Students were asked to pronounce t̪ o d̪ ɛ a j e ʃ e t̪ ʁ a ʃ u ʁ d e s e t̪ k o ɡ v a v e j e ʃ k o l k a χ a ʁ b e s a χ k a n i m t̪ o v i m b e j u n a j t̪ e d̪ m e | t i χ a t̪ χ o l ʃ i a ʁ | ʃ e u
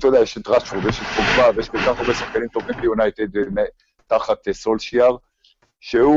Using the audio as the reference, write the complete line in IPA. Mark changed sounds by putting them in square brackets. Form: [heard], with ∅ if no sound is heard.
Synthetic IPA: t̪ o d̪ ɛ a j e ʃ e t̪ ʁ a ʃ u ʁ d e [ʃ] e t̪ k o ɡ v a v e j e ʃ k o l k a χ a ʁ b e s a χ k a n i m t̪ o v i m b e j u n a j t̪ e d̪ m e | t [a] χ a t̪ [s] o l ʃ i a ʁ | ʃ e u